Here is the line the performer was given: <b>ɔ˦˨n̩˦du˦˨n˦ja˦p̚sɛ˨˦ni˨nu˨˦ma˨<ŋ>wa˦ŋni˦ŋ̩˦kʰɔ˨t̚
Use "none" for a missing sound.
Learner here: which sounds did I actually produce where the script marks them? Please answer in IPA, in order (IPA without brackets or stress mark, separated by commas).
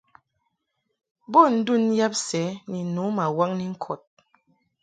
b, none